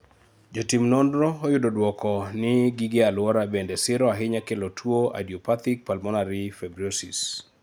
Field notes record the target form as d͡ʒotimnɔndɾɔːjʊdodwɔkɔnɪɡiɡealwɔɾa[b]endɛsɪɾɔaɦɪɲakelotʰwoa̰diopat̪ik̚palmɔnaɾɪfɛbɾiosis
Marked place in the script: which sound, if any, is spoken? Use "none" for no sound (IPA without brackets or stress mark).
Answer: b